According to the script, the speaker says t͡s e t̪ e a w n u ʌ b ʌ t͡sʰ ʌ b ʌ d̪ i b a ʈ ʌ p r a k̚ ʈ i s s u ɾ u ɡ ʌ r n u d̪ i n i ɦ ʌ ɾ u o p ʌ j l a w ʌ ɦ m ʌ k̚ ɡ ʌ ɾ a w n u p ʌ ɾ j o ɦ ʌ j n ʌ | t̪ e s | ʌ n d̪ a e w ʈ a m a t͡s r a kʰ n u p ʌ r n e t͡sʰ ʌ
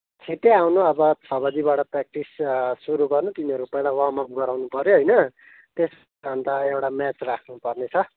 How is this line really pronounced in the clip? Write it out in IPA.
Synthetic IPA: t͡sʰ e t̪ e a w n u ʌ b ʌ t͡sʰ ʌ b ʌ d̪ i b a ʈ ʌ p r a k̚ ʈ i s s u ɾ u ɡ ʌ r n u t̪ i n i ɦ ʌ ɾ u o p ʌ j l a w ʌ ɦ m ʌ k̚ ɡ ʌ ɾ a w n u p ʌ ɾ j o ɦ ʌ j n ʌ | t̪ e s | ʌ n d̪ a e w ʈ a m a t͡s r a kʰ n u p ʌ r n e t͡sʰ ʌ